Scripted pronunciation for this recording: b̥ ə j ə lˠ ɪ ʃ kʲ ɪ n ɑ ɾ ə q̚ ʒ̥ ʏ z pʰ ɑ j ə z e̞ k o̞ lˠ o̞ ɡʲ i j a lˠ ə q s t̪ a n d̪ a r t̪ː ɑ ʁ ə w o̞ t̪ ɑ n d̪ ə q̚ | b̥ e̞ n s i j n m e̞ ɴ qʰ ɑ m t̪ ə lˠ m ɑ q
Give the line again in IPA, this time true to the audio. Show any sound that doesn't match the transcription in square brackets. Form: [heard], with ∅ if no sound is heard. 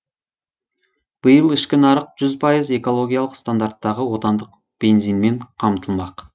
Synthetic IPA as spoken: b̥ ə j ə lˠ ɪ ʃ kʲ ɪ n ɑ ɾ ə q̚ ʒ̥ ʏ z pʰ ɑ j ə z e̞ k o̞ lˠ o̞ ɡʲ i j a lˠ ə q s t̪ a n d̪ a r t̪ː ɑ ʁ ə w o̞ t̪ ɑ n d̪ ə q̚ | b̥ e̞ n [z] i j n m e̞ ɴ qʰ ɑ m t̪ ə lˠ m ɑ q

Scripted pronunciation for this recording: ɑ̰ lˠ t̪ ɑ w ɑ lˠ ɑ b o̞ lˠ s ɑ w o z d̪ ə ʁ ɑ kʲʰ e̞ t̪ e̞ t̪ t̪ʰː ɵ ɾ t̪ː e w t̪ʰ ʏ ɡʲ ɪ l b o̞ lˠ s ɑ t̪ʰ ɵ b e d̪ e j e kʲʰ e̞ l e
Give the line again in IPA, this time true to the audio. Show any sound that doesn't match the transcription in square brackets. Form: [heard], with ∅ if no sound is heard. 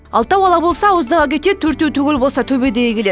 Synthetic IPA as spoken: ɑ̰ lˠ t̪ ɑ w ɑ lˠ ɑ b o̞ lˠ s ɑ w o z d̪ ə ʁ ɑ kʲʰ e̞ t̪ e̞ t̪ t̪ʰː ɵ ɾ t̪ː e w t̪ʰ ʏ ɡʲ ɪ l b o̞ lˠ s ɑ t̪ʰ ɵ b e d̪ e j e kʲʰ e̞ l e

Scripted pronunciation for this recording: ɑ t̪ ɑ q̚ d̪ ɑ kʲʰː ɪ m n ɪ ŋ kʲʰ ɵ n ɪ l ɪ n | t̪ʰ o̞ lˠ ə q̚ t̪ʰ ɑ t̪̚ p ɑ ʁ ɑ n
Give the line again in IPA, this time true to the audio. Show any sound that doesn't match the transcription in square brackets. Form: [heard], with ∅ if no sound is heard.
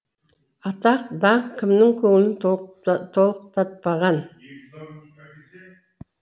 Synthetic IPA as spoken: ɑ t̪ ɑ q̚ d̪ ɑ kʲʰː ɪ m n ɪ ŋ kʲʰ ɵ [ŋ] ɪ l ɪ n | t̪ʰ o̞ lˠ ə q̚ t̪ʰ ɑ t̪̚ p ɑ ʁ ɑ n

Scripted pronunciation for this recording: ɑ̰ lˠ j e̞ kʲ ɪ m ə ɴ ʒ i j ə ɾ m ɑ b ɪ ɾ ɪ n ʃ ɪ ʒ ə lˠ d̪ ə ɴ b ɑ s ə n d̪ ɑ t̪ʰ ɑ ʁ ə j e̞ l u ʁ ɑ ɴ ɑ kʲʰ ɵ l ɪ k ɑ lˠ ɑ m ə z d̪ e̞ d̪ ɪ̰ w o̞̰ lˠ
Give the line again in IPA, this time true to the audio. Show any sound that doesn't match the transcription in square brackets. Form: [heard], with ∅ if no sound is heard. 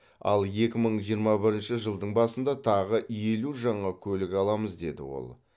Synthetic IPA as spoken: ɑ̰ lˠ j e̞ kʲ ɪ m ə ɴ ʒ i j ə ɾ m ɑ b ɪ ɾ ɪ n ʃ ɪ ʒ ə lˠ d̪ ə ɴ b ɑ s ə n d̪ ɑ t̪ʰ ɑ ʁ ə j e̞ l u [ʒ] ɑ ɴ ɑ kʲʰ ɵ l ɪ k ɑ lˠ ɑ m ə z d̪ e̞ d̪ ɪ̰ w o̞̰ lˠ

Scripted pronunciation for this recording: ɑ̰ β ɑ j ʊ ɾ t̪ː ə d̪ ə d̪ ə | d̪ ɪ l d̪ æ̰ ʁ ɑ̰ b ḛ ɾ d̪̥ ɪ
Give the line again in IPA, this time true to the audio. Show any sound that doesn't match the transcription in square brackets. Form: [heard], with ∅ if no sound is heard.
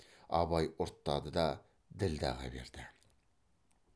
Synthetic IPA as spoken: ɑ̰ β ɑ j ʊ ɾ t̪ː [ɑ] d̪ ə d̪ [ɑ] | d̪ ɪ l d̪ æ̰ ʁ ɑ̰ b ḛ ɾ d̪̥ ɪ

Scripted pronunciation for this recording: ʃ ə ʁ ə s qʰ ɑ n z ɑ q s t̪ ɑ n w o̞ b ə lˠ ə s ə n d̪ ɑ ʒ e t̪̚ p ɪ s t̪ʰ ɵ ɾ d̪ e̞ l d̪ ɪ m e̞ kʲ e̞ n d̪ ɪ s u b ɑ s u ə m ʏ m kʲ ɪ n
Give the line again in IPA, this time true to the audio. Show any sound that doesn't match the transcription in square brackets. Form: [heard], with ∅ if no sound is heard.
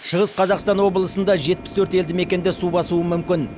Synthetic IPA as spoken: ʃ ə ʁ ə s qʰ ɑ [∅] z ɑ q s t̪ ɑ n w o̞ b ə lˠ ə s ə n d̪ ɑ ʒ e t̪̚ p ɪ s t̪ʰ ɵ ɾ [t̪] e̞ l d̪ ɪ m e̞ kʲ e̞ n d̪ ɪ s u b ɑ s u ə m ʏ m kʲ ɪ n

